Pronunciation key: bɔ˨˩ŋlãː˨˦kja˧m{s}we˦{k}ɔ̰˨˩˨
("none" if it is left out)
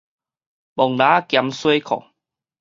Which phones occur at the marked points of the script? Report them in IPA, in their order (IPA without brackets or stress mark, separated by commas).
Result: s, kʰ